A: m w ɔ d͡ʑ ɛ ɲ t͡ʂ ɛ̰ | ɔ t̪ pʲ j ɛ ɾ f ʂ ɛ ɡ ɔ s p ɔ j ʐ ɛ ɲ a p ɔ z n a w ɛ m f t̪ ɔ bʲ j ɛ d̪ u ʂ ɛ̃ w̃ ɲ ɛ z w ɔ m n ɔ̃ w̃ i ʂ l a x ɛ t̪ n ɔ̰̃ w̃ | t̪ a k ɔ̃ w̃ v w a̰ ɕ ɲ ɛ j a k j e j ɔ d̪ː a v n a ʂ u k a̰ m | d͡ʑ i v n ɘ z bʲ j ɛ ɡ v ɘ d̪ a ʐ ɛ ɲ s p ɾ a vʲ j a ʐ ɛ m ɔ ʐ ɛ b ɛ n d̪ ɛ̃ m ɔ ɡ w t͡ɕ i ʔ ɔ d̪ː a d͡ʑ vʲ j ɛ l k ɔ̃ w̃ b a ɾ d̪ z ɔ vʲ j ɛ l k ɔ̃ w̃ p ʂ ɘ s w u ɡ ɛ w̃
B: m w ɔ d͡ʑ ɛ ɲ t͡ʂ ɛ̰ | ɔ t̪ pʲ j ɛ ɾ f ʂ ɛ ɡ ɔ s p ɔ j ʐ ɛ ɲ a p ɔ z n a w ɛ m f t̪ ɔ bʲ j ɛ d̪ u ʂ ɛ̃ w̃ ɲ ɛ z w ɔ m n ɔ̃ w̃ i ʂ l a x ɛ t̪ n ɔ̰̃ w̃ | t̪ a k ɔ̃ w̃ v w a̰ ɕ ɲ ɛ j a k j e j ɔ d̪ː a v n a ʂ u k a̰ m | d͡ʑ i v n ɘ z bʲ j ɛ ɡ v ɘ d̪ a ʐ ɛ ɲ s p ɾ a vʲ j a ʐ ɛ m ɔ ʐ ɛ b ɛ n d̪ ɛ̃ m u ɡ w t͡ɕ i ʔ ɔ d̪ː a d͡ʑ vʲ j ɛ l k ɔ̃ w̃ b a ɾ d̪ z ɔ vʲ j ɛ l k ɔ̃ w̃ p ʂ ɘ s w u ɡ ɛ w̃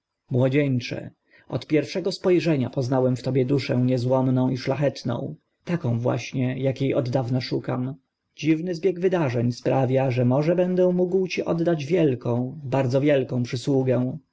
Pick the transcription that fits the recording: B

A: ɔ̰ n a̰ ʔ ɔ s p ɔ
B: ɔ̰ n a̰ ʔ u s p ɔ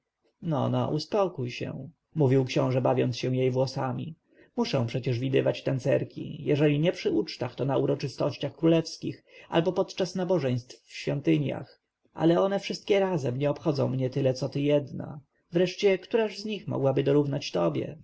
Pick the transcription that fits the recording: B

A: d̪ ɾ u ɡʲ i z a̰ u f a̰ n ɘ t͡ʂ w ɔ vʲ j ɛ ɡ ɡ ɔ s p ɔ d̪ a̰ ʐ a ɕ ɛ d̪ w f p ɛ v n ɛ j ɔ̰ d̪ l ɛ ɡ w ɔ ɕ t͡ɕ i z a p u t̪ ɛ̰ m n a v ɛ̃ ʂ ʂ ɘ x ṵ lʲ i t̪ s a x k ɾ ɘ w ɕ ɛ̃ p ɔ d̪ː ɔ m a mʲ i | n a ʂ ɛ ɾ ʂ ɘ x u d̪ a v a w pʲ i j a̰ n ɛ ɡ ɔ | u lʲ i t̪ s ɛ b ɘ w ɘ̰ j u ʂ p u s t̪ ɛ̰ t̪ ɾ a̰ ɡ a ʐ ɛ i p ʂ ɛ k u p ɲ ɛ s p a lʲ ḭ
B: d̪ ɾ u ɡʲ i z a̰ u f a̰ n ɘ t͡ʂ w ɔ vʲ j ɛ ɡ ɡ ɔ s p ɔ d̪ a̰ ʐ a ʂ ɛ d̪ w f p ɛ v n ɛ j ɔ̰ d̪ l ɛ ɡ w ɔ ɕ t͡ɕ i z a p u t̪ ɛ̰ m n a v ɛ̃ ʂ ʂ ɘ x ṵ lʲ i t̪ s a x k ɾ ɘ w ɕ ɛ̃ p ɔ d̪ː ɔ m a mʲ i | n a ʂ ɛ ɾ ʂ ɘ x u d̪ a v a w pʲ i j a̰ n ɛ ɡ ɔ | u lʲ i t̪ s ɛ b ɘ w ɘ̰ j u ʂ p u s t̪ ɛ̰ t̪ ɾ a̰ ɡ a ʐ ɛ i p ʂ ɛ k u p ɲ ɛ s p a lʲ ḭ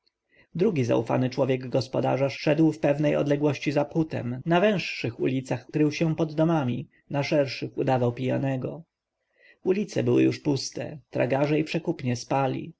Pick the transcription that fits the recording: B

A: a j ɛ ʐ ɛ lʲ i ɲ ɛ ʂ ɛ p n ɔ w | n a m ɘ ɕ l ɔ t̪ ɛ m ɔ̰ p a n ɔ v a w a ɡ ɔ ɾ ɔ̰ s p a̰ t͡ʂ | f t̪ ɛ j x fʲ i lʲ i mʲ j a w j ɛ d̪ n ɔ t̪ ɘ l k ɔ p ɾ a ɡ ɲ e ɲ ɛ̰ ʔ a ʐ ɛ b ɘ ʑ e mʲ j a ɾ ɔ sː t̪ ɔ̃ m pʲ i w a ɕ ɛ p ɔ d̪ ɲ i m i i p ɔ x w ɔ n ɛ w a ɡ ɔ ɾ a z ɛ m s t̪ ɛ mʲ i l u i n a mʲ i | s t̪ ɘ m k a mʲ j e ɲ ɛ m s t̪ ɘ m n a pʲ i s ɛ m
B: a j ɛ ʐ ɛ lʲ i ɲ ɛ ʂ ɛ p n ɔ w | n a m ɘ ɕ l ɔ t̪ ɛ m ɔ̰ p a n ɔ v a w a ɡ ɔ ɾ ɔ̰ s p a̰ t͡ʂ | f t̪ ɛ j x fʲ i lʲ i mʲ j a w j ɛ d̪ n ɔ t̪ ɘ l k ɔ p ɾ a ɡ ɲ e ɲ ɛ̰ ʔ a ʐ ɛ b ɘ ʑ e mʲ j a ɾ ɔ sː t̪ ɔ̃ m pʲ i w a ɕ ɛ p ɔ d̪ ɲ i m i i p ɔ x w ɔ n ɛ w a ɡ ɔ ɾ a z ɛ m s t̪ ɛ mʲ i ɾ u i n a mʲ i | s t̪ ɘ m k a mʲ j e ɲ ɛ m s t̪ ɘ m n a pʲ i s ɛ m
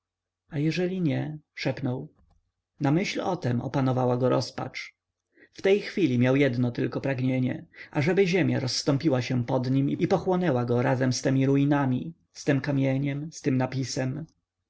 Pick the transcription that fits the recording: B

